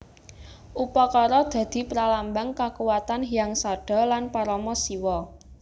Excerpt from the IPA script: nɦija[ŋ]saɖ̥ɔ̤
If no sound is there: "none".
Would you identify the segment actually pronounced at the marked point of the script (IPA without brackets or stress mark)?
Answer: ŋ